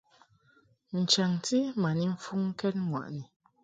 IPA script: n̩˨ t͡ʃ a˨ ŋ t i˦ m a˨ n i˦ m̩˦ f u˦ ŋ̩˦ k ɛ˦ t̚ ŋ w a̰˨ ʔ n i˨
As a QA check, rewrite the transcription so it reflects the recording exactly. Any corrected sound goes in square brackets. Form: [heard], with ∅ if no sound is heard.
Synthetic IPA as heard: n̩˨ t͡ʃ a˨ ŋ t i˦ m a˨ n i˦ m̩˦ f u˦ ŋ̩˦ k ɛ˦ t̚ ŋ w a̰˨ ʔ n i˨